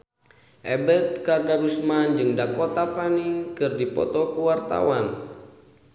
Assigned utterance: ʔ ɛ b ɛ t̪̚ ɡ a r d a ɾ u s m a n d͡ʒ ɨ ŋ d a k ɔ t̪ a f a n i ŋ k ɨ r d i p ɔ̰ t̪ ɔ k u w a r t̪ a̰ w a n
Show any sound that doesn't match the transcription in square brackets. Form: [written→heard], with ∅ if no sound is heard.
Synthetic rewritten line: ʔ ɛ b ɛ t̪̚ [ɡ→k] a r d a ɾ u s m a n d͡ʒ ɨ ŋ d a k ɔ t̪ a f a n i ŋ k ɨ r d i p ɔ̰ t̪ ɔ k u w a r t̪ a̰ w a n